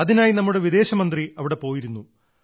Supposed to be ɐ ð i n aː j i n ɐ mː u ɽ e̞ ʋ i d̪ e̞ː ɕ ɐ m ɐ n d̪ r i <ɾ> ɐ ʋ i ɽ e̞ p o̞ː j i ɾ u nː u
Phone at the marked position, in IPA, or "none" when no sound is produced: none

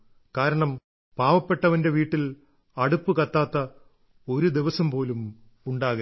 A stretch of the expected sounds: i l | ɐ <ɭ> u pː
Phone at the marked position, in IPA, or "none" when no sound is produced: ɽ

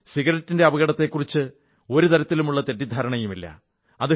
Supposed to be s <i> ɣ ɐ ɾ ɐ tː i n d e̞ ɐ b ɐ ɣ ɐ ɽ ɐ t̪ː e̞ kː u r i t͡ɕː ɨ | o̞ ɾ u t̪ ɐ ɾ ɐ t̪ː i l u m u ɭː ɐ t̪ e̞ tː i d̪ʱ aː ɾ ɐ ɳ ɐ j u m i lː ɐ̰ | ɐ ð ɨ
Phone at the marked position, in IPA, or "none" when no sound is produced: i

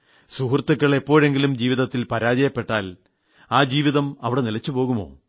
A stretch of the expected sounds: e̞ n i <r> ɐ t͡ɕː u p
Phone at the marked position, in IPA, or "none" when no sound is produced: l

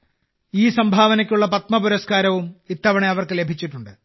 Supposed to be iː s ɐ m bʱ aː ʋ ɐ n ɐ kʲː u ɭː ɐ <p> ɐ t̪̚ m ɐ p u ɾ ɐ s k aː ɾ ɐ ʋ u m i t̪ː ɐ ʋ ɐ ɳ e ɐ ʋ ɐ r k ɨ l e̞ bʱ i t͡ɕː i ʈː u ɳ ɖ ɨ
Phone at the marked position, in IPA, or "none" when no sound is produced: p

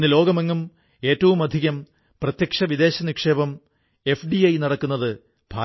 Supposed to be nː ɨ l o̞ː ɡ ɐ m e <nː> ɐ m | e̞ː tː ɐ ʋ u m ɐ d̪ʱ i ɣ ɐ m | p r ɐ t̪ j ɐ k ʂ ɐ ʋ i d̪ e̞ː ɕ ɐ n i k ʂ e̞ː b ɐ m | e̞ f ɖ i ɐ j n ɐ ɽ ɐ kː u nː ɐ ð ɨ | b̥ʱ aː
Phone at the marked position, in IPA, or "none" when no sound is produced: ŋː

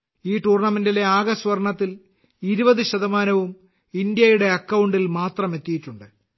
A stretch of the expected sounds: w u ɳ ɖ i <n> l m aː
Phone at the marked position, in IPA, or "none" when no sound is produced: none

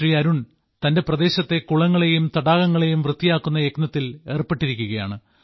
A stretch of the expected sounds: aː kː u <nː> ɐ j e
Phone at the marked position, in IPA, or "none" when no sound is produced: nː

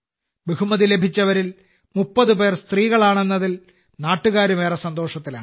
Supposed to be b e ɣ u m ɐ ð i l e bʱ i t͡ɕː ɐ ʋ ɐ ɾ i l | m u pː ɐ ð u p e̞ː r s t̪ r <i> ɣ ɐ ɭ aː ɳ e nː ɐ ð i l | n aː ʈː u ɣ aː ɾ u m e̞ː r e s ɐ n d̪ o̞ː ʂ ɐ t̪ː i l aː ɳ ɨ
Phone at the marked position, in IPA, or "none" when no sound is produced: iː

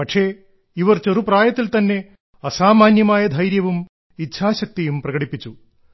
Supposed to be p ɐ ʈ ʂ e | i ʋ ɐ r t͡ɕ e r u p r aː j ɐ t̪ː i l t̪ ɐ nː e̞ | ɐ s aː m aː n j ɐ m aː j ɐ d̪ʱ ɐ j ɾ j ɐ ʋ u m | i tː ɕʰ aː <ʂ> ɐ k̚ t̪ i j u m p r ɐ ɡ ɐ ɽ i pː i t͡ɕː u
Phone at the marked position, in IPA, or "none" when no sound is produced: ɕ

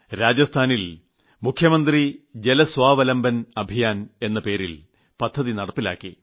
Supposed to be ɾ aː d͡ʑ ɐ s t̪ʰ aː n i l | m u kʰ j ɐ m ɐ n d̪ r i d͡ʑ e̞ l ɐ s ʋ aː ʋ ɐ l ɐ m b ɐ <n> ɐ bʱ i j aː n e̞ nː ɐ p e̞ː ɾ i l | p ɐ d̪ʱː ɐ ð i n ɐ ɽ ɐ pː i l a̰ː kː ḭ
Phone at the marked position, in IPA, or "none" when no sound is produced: n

